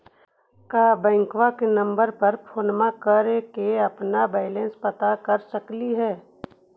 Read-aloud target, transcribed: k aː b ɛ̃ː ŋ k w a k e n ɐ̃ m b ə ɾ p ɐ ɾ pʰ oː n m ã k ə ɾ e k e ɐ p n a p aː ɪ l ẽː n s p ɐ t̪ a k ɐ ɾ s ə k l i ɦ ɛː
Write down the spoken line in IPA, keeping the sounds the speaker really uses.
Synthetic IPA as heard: k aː b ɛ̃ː ŋ k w a k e n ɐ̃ m b ə ɾ p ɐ ɾ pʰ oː n m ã k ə ɾ e k e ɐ p n a b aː ɪ l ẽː n s p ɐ t̪ a k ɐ ɾ s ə k l i ɦ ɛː